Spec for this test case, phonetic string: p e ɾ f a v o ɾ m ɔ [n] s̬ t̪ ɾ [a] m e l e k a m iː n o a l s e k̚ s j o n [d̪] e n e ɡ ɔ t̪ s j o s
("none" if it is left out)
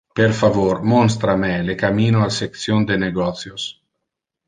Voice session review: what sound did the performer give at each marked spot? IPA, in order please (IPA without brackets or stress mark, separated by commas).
n, a, d̪